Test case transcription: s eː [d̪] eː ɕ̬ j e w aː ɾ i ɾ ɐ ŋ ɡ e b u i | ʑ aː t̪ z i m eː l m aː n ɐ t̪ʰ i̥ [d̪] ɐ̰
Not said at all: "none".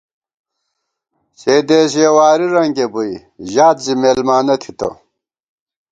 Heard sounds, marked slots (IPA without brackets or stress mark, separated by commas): d̪, t̪